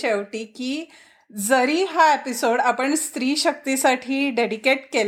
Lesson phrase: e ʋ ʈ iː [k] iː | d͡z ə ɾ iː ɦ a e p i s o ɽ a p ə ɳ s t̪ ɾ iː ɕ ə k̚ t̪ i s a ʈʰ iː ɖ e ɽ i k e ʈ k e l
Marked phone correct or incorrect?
correct